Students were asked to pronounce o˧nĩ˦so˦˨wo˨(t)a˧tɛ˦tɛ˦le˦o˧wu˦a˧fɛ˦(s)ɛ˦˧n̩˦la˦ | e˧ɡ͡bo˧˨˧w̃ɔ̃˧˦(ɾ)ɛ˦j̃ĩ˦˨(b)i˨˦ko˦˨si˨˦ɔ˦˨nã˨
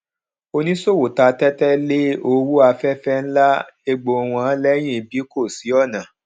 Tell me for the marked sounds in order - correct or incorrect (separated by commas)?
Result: correct, incorrect, incorrect, correct